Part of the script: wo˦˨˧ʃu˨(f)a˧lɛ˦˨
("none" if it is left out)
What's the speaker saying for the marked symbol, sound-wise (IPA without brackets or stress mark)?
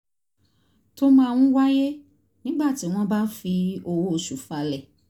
f